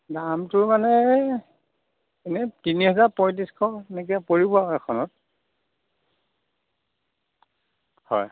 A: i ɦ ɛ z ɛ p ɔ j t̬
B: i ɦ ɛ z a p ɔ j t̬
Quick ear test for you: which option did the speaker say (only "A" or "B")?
B